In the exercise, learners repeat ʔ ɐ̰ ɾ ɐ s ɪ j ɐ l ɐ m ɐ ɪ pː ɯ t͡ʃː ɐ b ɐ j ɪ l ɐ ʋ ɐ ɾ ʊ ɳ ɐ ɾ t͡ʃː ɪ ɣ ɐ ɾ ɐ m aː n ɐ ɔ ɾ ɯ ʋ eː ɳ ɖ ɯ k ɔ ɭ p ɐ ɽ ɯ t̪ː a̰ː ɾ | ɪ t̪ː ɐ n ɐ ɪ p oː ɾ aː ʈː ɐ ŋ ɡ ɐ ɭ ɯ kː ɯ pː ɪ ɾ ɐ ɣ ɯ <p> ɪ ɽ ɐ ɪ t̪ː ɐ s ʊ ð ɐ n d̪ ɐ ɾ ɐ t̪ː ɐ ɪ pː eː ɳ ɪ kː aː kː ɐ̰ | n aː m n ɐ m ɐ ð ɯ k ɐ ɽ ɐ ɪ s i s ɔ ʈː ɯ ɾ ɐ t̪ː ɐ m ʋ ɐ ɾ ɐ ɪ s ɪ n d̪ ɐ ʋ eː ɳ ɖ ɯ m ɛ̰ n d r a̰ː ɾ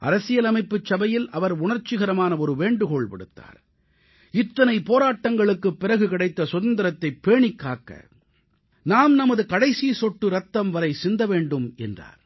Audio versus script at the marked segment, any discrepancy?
yes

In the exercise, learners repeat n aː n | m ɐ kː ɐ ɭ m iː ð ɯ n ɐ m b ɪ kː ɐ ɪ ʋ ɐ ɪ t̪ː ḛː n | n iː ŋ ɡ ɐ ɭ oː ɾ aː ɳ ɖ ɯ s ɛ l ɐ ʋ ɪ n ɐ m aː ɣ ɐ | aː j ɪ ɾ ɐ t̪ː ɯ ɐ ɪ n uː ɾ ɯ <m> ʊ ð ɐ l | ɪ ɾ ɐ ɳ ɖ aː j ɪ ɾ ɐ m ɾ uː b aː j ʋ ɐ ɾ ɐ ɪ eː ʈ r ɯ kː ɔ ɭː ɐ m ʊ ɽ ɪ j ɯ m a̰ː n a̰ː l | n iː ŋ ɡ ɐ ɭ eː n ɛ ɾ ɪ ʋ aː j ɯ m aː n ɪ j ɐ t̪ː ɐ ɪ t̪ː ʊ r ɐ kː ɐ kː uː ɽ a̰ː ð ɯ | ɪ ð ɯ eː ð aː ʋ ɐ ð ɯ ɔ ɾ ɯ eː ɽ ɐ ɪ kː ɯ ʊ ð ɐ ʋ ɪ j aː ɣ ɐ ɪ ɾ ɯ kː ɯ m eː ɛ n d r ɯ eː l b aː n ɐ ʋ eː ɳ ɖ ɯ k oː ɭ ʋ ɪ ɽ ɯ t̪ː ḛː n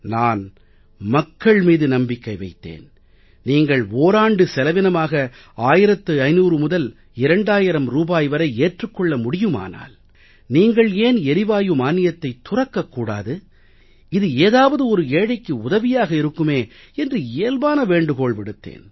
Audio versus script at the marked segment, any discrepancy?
no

